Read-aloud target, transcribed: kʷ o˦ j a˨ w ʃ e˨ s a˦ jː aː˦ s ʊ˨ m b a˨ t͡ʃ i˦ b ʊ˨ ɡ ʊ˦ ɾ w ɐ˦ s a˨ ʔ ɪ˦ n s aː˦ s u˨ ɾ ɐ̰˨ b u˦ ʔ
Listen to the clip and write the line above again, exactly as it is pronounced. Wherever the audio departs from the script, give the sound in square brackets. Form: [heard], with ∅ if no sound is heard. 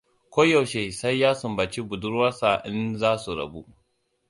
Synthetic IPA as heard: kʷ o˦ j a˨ w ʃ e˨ s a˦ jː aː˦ s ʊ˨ m b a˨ t͡ʃ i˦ b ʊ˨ [d] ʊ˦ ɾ w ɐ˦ s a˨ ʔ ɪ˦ n [z] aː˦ s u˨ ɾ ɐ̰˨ b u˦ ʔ